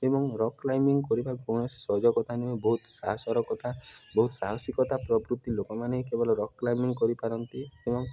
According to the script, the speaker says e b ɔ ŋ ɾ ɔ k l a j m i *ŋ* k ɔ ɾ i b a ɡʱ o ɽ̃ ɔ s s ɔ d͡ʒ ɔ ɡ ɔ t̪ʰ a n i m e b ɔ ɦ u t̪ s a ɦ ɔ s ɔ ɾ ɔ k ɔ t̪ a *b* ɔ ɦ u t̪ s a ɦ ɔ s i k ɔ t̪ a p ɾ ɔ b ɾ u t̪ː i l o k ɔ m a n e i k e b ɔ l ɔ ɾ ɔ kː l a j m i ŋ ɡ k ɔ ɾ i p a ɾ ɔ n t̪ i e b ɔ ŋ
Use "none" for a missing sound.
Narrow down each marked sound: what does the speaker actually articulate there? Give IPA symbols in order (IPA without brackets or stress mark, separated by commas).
ŋ, b